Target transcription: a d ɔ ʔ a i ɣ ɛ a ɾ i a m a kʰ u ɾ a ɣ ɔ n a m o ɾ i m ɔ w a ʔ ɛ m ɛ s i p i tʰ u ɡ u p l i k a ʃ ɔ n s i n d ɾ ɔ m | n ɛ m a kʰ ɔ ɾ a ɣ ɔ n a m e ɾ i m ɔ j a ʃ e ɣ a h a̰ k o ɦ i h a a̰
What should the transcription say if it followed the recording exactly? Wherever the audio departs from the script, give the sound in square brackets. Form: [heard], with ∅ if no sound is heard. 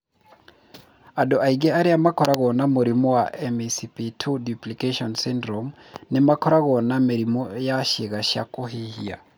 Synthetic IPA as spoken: a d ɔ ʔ a i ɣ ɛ a ɾ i a m a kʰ [ɔ] ɾ a ɣ ɔ n a m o ɾ i m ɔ w a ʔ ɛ m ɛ s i p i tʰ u [d] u p l i k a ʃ ɔ n s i n d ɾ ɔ m | n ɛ m a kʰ ɔ ɾ a ɣ ɔ n a m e ɾ i m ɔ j a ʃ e ɣ a [ʃ] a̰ k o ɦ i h [i] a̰